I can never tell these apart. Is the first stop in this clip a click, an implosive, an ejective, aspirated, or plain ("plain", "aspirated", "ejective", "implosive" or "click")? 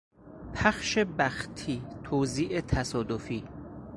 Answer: aspirated